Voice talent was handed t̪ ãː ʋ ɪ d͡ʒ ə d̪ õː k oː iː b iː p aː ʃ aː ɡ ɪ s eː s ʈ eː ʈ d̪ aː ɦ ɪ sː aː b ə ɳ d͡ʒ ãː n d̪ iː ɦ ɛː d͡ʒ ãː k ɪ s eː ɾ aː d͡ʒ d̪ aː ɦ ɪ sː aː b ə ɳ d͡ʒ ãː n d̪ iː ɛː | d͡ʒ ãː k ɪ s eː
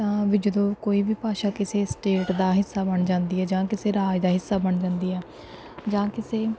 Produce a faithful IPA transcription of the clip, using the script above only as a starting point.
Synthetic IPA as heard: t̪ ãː ʋ ɪ d͡ʒ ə d̪ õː k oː iː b iː p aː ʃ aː k ɪ s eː s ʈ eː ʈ d̪ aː ɦ ɪ sː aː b ə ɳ d͡ʒ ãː n d̪ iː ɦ ɛː d͡ʒ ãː k ɪ s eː ɾ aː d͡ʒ d̪ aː ɦ ɪ sː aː b ə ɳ d͡ʒ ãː n d̪ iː ɛː | d͡ʒ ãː k ɪ s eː